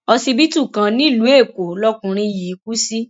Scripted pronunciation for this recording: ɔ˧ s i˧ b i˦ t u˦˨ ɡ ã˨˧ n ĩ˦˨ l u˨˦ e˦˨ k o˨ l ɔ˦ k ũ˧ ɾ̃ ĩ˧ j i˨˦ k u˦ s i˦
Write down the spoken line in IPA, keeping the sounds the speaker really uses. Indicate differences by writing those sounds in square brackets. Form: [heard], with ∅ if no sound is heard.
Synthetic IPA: ɔ˧ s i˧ b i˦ t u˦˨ [k] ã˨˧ n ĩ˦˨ l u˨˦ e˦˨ k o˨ l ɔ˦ k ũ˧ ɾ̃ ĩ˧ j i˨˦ k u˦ s i˦